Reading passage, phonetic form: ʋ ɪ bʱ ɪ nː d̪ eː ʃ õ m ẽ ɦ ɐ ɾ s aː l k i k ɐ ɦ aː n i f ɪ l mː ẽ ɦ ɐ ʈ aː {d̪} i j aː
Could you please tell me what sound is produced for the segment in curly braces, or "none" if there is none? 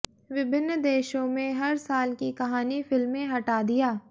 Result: d̪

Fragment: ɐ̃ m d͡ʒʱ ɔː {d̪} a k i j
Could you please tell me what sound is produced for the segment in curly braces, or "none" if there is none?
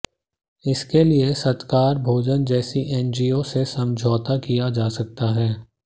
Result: t̪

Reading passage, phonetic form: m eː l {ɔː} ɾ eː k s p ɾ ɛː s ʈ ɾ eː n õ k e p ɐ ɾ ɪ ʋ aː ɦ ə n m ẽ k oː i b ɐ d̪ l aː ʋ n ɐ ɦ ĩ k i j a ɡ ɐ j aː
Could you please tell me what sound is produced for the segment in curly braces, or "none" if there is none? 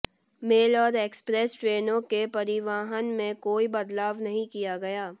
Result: ɔː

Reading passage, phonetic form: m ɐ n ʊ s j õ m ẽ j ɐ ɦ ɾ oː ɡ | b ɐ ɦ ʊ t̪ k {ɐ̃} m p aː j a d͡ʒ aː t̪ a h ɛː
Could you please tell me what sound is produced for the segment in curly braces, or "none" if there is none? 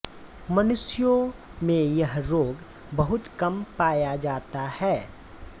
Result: ɐ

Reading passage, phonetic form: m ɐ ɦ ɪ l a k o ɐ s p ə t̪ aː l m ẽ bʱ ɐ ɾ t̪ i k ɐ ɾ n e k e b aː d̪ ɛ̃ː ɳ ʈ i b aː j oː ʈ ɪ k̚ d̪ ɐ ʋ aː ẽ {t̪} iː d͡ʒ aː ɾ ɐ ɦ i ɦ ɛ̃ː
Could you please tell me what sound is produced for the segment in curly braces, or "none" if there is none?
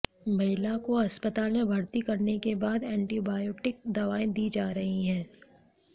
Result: d̪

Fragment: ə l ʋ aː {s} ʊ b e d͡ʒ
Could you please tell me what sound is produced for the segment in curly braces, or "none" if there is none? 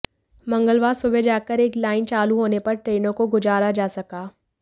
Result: s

